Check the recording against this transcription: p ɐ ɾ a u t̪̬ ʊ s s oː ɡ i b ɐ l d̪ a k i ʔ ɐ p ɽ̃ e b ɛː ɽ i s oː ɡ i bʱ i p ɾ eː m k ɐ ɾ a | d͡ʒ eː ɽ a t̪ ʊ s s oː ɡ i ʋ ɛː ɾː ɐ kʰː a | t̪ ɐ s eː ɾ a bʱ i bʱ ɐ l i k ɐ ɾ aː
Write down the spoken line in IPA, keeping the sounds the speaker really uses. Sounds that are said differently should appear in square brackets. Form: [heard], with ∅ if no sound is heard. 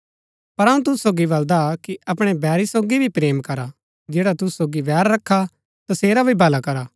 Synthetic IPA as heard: p ɐ ɾ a [ũ] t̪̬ ʊ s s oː ɡ i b ɐ l d̪ a k i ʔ ɐ p ɽ̃ e b ɛː [ɾ] i s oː ɡ i bʱ i p ɾ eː m k ɐ ɾ a | d͡ʒ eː ɽ a t̪ ʊ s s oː ɡ i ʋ ɛː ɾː ɐ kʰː a | t̪ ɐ s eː ɾ a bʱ i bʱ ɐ l [a] k ɐ ɾ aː